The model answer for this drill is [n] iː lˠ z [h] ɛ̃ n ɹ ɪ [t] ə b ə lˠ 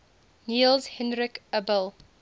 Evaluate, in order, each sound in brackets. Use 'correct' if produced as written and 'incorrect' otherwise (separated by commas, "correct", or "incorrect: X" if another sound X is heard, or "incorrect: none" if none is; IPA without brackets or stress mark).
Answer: correct, correct, incorrect: k